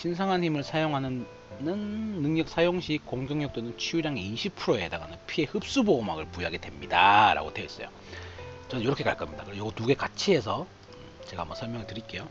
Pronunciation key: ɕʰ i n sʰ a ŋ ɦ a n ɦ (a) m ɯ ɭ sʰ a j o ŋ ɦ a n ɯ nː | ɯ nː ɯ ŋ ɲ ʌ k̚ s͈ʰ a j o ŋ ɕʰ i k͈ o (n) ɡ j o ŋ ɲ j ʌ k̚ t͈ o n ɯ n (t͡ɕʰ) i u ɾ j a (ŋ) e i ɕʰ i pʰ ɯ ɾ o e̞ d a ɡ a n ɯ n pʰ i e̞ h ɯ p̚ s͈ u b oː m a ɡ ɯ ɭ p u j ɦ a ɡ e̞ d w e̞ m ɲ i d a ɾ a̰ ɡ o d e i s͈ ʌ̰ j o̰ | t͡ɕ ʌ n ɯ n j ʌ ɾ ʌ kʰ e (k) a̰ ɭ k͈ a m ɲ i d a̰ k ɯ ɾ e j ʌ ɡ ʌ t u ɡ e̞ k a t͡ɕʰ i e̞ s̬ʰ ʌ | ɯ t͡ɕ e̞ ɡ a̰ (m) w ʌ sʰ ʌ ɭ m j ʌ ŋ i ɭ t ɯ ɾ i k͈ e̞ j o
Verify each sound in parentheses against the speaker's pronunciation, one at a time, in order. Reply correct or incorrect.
incorrect, incorrect, correct, correct, correct, correct

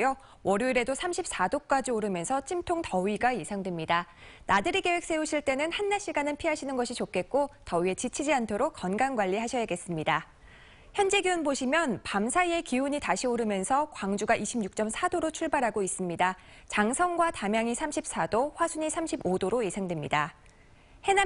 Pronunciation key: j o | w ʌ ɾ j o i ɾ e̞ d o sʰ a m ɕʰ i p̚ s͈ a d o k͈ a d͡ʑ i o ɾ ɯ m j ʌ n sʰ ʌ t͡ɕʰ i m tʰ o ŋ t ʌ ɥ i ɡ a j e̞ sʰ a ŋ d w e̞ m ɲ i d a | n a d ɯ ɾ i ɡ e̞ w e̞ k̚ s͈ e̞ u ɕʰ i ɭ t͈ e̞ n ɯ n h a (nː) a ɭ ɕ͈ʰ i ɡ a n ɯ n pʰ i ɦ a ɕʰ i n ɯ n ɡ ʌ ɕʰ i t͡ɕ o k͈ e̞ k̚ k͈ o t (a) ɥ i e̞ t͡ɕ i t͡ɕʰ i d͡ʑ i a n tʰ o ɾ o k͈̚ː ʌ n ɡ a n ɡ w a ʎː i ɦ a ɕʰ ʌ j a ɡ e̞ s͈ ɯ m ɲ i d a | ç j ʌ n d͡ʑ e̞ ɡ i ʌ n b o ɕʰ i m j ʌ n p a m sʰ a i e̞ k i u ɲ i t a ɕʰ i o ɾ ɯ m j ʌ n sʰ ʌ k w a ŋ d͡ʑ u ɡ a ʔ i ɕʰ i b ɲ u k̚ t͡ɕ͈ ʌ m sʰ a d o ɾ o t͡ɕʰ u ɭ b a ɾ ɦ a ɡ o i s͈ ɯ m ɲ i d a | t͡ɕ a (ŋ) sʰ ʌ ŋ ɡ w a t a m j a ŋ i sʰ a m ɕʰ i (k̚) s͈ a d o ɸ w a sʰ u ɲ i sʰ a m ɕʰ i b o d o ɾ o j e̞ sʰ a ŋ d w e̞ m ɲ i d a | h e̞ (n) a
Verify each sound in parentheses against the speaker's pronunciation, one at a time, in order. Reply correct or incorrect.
correct, incorrect, correct, incorrect, correct

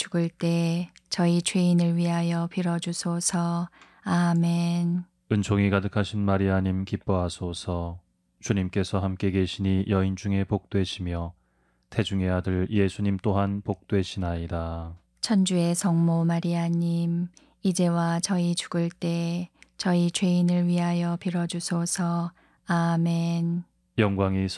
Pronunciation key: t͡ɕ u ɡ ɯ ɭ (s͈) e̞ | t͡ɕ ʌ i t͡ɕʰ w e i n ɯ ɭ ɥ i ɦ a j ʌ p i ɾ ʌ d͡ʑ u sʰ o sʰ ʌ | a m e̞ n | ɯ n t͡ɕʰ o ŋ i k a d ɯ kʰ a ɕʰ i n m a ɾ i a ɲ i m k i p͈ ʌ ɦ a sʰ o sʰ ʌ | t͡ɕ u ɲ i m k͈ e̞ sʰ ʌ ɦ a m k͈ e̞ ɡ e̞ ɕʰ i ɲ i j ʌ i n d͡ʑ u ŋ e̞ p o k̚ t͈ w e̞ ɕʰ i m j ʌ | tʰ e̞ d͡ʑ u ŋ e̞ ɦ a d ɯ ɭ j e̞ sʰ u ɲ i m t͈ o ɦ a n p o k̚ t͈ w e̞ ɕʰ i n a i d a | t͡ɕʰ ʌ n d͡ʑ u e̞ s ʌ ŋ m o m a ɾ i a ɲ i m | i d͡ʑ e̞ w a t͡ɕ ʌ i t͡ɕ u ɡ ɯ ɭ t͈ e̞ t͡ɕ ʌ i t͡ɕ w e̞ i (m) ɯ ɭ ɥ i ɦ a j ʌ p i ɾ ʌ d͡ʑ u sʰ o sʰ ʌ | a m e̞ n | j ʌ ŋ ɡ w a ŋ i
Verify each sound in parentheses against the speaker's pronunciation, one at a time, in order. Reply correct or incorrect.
incorrect, incorrect

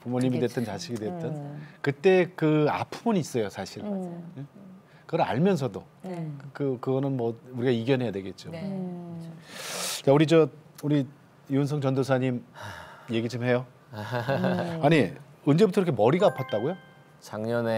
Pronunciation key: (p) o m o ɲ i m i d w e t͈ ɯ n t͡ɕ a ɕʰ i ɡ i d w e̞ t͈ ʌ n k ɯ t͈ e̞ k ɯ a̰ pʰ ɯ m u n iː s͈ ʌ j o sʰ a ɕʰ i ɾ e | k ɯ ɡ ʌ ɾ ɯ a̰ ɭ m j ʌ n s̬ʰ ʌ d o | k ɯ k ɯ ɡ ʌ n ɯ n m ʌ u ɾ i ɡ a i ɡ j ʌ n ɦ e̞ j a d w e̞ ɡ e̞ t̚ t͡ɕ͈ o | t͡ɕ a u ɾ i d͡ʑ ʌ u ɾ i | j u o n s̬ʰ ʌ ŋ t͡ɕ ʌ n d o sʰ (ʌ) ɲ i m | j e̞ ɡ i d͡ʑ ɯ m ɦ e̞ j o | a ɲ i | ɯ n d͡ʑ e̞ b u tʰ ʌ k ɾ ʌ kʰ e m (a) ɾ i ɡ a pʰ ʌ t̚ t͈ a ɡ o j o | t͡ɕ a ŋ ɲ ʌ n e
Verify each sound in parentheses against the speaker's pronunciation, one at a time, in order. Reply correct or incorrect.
correct, incorrect, incorrect

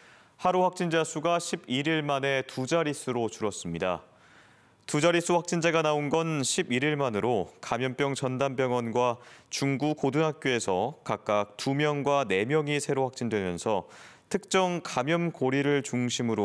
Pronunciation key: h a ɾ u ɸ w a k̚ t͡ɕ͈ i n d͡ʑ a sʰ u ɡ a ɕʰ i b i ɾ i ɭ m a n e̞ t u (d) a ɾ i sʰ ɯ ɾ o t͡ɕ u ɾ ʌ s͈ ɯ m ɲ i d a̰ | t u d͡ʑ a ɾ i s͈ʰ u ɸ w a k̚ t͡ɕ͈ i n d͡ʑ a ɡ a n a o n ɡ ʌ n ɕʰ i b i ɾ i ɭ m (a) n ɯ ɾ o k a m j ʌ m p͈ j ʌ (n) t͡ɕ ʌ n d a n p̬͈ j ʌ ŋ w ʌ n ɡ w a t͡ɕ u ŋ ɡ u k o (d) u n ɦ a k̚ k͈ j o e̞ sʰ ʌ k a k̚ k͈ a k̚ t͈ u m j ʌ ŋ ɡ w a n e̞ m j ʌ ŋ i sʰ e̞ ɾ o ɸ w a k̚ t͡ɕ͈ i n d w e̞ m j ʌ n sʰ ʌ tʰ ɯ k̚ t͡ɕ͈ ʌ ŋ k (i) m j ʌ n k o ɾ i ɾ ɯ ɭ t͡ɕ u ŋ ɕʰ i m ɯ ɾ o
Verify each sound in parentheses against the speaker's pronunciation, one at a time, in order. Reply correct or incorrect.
incorrect, correct, incorrect, correct, incorrect

